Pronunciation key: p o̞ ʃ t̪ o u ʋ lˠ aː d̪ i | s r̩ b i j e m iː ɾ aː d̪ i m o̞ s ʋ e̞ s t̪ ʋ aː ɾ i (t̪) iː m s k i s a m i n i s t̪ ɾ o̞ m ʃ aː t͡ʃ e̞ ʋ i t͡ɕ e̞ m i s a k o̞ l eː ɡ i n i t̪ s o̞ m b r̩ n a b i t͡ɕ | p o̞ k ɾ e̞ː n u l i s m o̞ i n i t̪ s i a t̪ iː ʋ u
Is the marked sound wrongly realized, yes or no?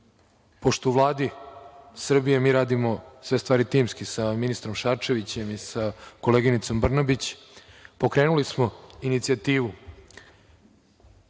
no